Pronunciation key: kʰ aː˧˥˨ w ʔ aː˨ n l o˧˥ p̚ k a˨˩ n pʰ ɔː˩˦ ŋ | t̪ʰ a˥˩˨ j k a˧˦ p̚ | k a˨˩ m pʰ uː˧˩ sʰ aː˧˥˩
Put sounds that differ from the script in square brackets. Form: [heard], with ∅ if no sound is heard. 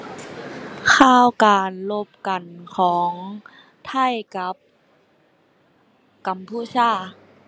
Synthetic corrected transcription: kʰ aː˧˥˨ w [k] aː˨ n l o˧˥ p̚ k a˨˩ n [kʰ] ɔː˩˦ ŋ | t̪ʰ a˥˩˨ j k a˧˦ p̚ | k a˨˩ m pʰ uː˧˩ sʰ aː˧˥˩